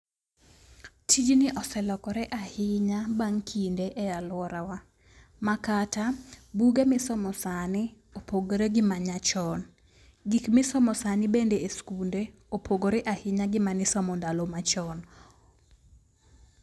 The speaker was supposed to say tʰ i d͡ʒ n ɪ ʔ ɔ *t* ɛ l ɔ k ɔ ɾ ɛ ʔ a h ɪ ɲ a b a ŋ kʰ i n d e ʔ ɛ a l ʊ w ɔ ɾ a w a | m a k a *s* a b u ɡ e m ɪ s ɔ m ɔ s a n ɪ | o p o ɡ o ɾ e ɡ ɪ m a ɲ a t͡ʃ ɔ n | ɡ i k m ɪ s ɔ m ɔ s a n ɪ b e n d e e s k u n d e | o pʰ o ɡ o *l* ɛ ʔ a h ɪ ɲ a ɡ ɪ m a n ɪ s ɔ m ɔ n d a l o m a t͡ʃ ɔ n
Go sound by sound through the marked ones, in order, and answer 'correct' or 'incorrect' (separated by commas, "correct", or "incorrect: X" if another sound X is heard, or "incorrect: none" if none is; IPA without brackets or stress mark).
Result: incorrect: s, incorrect: t, incorrect: ɾ